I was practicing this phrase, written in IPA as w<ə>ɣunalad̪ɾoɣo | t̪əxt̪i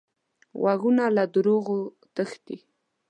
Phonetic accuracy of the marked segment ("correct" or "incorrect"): incorrect